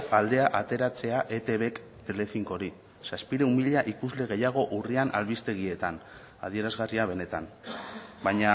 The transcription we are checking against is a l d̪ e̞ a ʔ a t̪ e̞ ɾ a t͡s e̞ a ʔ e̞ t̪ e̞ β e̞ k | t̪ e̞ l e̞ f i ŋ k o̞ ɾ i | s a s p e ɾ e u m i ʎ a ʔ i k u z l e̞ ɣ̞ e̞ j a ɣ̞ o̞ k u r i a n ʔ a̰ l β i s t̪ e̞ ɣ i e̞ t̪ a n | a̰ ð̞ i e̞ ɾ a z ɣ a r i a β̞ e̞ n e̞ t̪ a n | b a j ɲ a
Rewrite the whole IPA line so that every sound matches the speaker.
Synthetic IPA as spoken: a l d̪ e̞ a ʔ a t̪ e̞ ɾ a t͡s e̞ a ʔ e̞ t̪ e̞ β e̞ k | t̪ e̞ l e̞ f i ŋ k o̞ ɾ i | s a s p i ɾ e u m i ʎ a ʔ i k u z l e̞ ɣ̞ e̞ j a ɣ̞ o̞ ʔ u r i a n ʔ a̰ l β i s t̪ e̞ ɣ i e̞ t̪ a n | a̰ ð̞ i e̞ ɾ a z ɣ a r i a β̞ e̞ n e̞ t̪ a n | b a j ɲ a